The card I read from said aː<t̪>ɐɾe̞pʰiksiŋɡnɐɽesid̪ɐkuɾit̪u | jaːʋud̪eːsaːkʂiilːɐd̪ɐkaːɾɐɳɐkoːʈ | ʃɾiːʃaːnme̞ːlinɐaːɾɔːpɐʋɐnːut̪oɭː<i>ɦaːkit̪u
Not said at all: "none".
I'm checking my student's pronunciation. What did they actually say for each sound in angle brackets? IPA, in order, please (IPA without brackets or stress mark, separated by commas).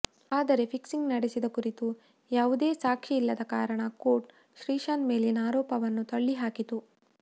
d̪, i